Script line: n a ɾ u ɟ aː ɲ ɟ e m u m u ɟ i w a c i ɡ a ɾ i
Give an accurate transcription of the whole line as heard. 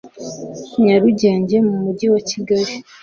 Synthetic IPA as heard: ɲ a ɾ u ɟ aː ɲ ɟ e m u m u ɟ i w a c i ɡ a ɾ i